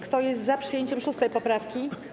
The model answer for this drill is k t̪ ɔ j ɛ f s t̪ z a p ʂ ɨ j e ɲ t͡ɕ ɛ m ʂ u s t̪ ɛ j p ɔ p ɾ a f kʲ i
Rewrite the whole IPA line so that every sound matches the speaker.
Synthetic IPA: k t̪ ɔ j ɛ s t̪ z a p ʂ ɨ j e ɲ t͡ɕ ɛ m ʂ u s t̪ ɛ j p ɔ p ɾ a f kʲ i

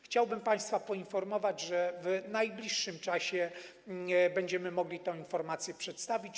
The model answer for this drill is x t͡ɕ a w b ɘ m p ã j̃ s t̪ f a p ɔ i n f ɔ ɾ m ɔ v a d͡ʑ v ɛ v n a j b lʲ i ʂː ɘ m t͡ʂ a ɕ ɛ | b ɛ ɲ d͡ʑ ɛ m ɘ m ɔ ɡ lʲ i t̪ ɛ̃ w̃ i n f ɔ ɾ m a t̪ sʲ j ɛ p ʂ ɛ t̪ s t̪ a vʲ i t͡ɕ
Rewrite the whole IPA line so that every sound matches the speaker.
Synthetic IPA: x t͡ɕ a w b ɘ m p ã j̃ s t̪ f a p ɔ i n f ɔ ɾ m ɔ v a d͡ʑ ʐ ɛ v n a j b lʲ i ʂː ɘ m t͡ʂ a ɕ ɛ | b ɛ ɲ d͡ʑ ɛ m ɘ m ɔ ɡ lʲ i t̪ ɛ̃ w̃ i n f ɔ ɾ m a t̪ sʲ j ɛ p ʂ ɛ t̪ s t̪ a vʲ i t͡ɕ

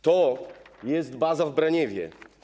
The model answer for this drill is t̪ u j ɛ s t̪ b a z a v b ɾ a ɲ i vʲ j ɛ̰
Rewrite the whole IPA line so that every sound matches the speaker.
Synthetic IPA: t̪ ɔ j ɛ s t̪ b a z a v b ɾ a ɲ ɛ vʲ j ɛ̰

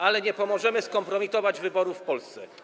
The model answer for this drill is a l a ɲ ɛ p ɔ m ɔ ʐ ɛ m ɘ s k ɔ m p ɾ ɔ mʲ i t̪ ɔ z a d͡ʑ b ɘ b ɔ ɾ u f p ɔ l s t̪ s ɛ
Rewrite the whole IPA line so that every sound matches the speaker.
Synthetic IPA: a l ɛ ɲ ɛ p ɔ m ɔ ʐ ɛ m ɘ s k ɔ m p ɾ ɔ mʲ i t̪ ɔ v a d͡ʑ v ɘ b ɔ ɾ u f p ɔ l s t̪ s ɛ

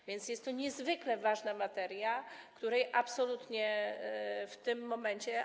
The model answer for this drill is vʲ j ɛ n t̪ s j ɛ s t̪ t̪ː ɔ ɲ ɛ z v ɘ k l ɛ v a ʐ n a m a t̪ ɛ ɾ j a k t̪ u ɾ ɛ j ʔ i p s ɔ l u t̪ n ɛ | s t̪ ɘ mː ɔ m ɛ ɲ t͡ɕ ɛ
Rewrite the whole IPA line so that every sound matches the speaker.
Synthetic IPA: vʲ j ɛ n t̪ s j ɛ s t̪ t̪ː ɔ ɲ ɛ z v ɘ k l ɛ v a ʐ n a m a t̪ ɛ ɾ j a k t̪ u ɾ ɛ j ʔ a p s ɔ l u t̪ ɲ ɛ | f t̪ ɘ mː ɔ m ɛ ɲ t͡ɕ ɛ

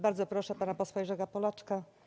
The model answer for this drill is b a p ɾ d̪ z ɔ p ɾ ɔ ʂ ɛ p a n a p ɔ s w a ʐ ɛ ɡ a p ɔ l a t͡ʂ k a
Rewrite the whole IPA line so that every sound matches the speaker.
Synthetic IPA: b a ɾ d̪ z ɔ p ɾ ɔ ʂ ɛ p a n a p ɔ s w a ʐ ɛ ɡ a p ɔ l a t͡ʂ k a

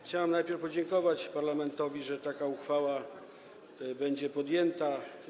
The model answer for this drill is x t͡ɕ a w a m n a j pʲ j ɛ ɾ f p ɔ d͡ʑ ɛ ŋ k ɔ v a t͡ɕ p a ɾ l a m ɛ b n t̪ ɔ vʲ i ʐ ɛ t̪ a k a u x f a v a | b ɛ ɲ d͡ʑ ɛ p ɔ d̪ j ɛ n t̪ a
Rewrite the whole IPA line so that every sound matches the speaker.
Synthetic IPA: x t͡ɕ a w a m n a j pʲ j ɛ ɾ f p ɔ d͡ʑ ɛ ŋ k ɔ v a t͡ɕ p a ɾ l a m ɛ n t̪ ɔ vʲ i ʐ ɛ t̪ a k a u x f a w a | b ɛ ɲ d͡ʑ ɛ p ɔ d̪ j ɛ n t̪ a

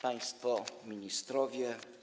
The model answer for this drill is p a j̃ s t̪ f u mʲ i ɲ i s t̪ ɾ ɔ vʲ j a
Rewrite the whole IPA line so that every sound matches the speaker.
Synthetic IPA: p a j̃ s t̪ f ɔ mʲ i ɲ i s t̪ ɾ ɔ vʲ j ɛ

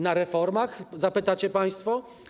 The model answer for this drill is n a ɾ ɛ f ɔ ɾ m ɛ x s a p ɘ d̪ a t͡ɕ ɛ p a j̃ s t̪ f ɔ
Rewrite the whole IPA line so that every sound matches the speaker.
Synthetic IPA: n a ɾ ɛ f ɔ ɾ m a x z a p ɘ t̪ a t͡ɕ ɛ p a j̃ s t̪ f ɔ

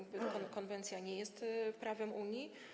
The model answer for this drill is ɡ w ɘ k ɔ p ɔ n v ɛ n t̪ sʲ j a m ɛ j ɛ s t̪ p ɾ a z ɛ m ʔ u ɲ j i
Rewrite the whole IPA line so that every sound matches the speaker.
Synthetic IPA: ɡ b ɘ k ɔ k ɔ n v ɛ n t̪ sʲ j a ɲ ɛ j ɛ s t̪ p ɾ a v ɛ m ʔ u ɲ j i

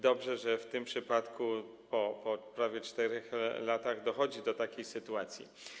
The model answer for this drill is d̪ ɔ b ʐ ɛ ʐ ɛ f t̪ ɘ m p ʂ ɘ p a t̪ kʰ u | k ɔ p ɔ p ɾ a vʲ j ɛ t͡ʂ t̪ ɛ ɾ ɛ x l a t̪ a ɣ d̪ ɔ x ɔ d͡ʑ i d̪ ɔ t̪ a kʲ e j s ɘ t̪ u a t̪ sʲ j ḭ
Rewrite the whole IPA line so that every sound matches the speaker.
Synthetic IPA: d̪ ɔ b ʐ ɛ ʐ ɛ f t̪ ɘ m p ʂ ɘ p a t̪ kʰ u | p ɔ p ɔ p ɾ a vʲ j ɛ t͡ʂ t̪ ɛ ɾ ɛ x l a t̪ a ɣ d̪ ɔ x ɔ d͡ʑ i d̪ ɔ t̪ a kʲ e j s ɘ t̪ u a t̪ sʲ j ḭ

